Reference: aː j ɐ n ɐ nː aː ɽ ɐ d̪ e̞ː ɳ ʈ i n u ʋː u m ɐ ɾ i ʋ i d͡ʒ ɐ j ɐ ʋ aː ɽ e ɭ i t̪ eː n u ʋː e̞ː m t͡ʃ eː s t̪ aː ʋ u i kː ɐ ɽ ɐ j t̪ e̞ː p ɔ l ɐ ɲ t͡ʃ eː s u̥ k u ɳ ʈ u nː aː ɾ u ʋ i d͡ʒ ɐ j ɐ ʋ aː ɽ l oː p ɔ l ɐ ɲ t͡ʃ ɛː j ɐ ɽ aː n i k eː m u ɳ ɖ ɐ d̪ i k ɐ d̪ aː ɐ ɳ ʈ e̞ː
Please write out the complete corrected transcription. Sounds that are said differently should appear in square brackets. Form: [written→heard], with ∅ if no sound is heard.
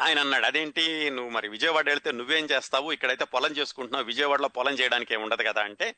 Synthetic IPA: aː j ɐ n ɐ nː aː ɽ ɐ d̪ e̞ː ɳ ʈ i n u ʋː u m ɐ ɾ i ʋ i d͡ʒ ɐ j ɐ ʋ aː ɽ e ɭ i t̪ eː n u ʋː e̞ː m t͡ʃ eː s t̪ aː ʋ u i kː ɐ ɽ ɐ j t̪ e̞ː p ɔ l ɐ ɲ t͡ʃ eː s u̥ k u ɳ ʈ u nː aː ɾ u ʋ i d͡ʒ ɐ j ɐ ʋ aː ɽ l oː p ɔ l ɐ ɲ t͡ʃ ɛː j ɐ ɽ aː n i k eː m u ɳ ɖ ɐ d̪ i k ɐ d̪ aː ɐ ɳ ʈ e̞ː